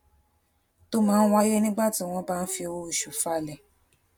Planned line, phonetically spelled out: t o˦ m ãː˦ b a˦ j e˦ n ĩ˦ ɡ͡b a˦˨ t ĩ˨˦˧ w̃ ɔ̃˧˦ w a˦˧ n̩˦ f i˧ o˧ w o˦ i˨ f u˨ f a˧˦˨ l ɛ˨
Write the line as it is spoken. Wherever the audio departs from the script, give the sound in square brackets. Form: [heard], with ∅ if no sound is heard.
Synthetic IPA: t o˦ m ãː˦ [w] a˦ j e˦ n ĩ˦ ɡ͡b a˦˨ t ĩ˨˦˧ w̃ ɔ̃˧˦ [b] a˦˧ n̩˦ f i˧ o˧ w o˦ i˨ [ʃ] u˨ f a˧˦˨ l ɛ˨